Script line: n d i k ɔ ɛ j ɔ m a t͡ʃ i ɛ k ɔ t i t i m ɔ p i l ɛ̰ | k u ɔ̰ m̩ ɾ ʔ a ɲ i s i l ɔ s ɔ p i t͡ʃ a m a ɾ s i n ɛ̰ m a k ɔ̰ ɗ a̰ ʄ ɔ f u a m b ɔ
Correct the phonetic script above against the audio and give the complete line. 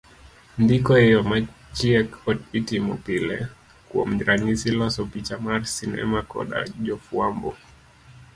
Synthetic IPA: n d i k ɔ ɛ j ɔ m a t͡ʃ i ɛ k ɔ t i t i m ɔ p i l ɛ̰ | k u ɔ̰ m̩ ɾ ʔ a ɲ i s i l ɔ s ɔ p i t͡ʃ a m a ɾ s i n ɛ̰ m a k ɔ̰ ɗ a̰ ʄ ɔ f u a m b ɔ